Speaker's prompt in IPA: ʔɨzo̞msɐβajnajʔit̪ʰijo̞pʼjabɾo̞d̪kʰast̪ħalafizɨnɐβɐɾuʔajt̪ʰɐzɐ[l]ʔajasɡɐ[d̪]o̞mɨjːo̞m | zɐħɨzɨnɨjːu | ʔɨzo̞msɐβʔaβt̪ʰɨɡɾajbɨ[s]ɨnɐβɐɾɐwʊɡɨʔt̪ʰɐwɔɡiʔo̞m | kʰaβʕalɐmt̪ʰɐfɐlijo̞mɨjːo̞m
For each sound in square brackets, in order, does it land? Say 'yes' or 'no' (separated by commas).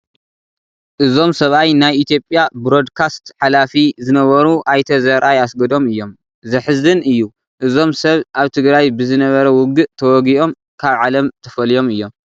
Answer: no, yes, no